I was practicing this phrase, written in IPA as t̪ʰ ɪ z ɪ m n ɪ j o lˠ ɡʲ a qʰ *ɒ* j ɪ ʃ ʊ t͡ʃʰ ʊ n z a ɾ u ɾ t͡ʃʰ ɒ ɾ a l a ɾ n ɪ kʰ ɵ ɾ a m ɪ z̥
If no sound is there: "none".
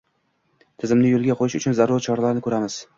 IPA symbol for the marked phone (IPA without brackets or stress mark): o